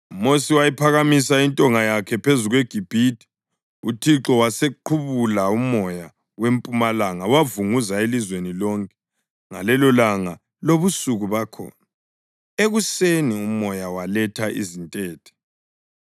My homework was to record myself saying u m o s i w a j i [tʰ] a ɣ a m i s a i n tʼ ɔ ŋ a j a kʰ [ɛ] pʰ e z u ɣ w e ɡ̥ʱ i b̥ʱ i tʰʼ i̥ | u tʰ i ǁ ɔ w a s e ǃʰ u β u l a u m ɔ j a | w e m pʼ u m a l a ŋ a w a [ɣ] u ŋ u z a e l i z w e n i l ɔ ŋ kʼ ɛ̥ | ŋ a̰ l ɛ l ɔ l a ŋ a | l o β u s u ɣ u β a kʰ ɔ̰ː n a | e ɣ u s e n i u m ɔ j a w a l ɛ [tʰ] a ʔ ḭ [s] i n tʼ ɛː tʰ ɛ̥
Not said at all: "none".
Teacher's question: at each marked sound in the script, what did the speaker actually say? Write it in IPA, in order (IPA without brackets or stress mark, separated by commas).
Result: pʰ, ɛ, v, tʰ, z